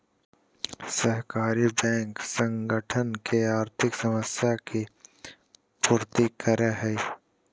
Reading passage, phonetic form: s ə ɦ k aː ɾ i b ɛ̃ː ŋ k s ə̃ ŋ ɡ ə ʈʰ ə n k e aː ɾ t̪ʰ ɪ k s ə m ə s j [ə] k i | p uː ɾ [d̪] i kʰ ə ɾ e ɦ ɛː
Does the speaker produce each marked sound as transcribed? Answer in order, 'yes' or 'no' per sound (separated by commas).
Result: no, no